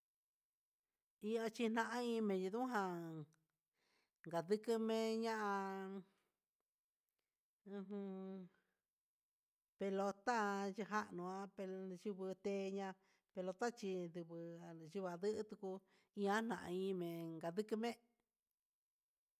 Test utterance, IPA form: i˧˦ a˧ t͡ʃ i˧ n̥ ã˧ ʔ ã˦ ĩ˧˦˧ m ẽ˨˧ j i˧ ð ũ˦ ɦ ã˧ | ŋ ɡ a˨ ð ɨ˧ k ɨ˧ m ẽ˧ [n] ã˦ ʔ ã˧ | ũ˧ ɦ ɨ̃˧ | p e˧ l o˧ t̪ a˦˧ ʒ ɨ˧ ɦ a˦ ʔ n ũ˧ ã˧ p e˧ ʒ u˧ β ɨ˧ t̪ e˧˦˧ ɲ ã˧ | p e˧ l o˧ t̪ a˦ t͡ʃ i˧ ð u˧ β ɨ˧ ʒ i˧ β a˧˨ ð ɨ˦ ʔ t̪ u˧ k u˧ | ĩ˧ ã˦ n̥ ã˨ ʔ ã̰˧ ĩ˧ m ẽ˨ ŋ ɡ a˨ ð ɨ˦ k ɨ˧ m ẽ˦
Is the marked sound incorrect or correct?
incorrect